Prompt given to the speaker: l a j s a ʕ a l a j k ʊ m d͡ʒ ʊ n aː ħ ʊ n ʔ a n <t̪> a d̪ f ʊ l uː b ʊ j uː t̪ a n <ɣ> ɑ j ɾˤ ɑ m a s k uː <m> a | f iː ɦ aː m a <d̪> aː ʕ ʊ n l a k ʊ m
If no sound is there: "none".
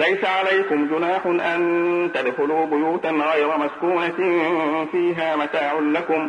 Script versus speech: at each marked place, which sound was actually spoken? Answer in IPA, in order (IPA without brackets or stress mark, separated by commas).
t̪, ɣ, n, t̪